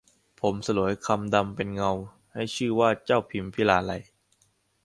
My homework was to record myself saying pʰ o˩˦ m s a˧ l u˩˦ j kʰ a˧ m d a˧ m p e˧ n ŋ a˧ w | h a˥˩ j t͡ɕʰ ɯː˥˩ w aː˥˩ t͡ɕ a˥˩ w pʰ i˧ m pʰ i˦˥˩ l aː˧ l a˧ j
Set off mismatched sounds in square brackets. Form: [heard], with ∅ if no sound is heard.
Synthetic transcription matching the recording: pʰ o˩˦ m s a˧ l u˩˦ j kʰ a˧ m d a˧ m p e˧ n ŋ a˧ w | h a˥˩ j t͡ɕʰ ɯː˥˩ w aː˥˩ t͡ɕ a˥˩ w pʰ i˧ m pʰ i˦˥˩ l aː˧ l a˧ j